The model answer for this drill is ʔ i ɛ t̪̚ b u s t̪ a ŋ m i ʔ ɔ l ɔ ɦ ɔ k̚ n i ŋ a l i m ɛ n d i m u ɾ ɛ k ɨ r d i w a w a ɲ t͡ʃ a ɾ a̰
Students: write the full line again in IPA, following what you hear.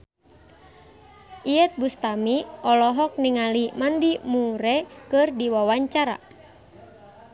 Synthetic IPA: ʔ i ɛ t̪̚ b u s t̪ a m i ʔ ɔ l ɔ ɦ ɔ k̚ n i ŋ a l i m a n d i m u ɾ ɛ k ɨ r d i w a w a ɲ t͡ʃ a ɾ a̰